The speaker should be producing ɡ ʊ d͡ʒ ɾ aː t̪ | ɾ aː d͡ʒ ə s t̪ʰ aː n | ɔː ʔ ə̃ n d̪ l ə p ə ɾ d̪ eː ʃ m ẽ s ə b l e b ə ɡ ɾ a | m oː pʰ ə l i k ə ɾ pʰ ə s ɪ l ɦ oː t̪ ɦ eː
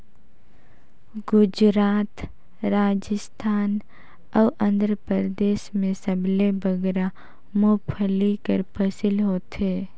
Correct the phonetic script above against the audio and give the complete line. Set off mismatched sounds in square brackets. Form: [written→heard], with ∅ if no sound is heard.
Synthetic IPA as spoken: ɡ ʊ d͡ʒ ɾ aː t̪ | ɾ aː d͡ʒ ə s t̪ʰ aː n | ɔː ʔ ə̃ n d̪ [l→ɾ] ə p ə ɾ d̪ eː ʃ m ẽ s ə b l e b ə ɡ ɾ a | m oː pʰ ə l i k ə ɾ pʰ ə s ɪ l ɦ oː t̪ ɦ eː